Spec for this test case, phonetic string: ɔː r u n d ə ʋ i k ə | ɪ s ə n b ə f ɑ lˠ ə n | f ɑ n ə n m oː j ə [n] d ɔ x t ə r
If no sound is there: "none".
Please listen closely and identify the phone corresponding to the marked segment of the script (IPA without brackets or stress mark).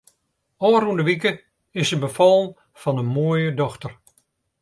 none